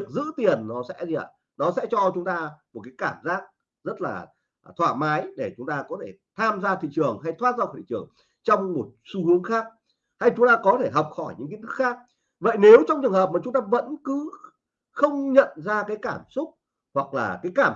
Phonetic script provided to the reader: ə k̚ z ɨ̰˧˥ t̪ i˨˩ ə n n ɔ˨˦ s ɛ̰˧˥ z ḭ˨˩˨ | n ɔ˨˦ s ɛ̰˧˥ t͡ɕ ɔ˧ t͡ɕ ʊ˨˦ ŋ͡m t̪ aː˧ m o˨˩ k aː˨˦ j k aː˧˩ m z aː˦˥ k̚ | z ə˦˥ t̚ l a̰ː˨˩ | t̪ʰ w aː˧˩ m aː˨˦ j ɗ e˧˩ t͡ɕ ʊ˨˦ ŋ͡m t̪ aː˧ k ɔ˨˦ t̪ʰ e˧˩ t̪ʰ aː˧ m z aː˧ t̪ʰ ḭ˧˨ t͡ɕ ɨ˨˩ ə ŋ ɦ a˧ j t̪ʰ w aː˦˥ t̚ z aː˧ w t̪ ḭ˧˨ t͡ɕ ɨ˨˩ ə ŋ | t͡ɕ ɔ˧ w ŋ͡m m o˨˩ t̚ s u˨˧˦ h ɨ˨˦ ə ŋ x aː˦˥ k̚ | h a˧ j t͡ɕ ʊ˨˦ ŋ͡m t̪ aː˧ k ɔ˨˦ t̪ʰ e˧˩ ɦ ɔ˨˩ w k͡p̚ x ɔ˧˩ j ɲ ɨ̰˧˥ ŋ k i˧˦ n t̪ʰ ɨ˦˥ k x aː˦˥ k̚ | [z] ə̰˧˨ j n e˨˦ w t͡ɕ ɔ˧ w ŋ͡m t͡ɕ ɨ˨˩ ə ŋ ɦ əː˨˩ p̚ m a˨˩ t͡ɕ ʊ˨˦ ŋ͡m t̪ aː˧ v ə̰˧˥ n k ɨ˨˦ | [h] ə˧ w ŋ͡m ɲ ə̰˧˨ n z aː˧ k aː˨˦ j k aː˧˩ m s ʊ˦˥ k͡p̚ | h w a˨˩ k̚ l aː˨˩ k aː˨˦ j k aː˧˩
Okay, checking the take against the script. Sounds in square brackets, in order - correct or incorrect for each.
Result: incorrect, incorrect

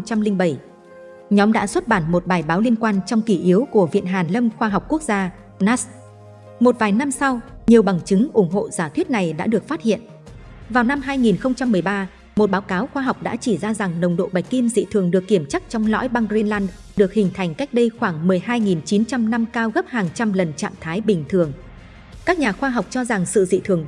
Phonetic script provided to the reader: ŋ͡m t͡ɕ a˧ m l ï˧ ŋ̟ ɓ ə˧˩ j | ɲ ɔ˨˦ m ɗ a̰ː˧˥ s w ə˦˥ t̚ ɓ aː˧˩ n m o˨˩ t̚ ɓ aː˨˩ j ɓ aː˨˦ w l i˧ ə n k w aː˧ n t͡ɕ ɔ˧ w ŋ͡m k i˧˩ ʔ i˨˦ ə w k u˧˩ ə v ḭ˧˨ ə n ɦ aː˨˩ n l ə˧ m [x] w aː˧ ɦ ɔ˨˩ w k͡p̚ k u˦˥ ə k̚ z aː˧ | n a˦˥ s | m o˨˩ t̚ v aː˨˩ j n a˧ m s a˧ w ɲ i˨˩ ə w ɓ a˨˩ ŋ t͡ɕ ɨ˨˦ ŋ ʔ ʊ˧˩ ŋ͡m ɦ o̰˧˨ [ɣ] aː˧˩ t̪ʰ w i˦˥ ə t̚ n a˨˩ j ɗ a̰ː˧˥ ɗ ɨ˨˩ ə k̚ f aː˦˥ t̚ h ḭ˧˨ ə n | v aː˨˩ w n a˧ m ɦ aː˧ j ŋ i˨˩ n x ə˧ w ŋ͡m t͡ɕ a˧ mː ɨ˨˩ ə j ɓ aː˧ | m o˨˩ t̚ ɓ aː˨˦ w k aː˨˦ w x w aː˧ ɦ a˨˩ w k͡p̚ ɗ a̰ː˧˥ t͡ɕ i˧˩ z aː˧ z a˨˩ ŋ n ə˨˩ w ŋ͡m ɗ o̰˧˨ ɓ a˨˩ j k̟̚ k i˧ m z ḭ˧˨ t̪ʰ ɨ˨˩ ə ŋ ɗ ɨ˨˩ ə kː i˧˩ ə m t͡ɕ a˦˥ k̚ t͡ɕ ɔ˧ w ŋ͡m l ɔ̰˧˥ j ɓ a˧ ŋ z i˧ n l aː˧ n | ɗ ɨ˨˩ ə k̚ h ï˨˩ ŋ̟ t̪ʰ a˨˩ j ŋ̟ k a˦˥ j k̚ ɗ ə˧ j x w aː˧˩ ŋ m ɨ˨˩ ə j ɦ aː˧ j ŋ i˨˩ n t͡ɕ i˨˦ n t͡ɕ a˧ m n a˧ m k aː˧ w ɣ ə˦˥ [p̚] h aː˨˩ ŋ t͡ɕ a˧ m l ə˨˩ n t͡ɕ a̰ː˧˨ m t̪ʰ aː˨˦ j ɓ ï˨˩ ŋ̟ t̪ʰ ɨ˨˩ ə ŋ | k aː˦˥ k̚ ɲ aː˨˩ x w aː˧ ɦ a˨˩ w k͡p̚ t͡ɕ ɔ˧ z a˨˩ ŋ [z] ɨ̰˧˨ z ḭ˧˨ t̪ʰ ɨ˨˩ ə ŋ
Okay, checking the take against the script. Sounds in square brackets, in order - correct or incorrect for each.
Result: correct, incorrect, correct, incorrect

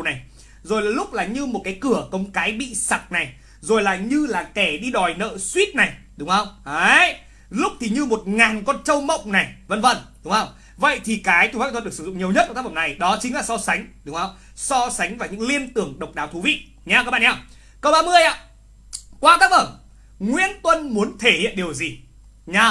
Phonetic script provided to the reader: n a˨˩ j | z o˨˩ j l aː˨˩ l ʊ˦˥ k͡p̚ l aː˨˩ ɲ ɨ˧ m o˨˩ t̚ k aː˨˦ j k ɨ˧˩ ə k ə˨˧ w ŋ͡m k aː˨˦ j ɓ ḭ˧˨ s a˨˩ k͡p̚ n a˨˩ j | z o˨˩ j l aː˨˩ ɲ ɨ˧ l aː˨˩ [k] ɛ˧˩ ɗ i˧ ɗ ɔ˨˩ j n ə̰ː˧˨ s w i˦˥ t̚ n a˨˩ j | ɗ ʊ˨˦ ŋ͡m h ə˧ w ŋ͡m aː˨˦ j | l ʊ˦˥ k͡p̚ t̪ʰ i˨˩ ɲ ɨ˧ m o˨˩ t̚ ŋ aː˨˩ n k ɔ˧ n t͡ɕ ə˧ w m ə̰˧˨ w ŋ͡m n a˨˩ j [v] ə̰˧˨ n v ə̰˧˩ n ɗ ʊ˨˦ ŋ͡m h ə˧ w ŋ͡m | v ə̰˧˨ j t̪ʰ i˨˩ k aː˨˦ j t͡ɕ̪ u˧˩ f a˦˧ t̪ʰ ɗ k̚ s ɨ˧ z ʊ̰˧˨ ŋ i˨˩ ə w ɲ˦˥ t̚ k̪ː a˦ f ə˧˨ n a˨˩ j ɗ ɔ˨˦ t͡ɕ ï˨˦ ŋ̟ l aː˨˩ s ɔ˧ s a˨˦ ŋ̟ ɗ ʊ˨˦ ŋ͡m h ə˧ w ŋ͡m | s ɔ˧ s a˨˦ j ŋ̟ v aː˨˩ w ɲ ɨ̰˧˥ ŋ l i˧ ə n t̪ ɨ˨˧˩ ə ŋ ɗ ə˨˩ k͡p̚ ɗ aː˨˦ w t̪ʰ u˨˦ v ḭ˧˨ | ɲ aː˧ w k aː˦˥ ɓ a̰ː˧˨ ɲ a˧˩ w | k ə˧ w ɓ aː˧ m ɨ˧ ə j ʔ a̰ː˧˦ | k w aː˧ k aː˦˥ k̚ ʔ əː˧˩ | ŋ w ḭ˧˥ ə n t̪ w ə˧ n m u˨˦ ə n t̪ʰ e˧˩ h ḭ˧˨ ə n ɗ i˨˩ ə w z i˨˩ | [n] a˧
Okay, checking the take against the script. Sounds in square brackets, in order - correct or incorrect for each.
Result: correct, correct, incorrect

